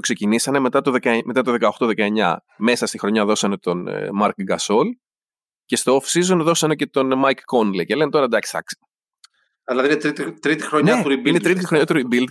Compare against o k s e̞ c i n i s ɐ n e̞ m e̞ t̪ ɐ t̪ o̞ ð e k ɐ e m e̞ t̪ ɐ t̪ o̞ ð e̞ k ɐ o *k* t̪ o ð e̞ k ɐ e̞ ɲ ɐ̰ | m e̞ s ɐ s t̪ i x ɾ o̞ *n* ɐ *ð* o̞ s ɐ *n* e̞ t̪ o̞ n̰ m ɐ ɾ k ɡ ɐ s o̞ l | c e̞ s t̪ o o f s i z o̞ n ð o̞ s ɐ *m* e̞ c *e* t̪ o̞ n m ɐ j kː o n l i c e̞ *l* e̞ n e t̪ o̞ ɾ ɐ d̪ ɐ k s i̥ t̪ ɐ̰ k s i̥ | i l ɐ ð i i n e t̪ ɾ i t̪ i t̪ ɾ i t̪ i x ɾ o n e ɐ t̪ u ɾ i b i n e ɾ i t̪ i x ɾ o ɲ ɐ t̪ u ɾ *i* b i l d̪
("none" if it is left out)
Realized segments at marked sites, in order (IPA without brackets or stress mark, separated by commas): x, ɲ, ð, n, n, e, l, i